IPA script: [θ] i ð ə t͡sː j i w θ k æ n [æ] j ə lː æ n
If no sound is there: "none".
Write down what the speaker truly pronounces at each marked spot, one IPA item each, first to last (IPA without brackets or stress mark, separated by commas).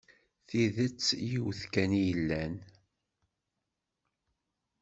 θ, i